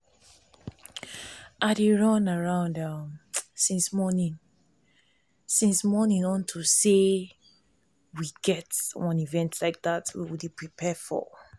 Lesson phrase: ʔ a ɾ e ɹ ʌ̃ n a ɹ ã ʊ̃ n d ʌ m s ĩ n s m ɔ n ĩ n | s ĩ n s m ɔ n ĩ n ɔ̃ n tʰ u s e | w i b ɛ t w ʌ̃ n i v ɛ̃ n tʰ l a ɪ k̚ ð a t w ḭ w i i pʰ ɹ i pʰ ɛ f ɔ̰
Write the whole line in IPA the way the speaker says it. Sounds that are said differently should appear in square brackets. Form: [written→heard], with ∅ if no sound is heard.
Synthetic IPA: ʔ a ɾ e ɹ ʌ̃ n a ɹ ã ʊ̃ n d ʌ m s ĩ n s m ɔ n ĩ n | s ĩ n s m ɔ n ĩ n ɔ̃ n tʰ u s e | w i [b→ɡ] ɛ t w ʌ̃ n i v ɛ̃ n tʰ l a ɪ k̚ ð a t w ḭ w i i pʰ ɹ i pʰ ɛ f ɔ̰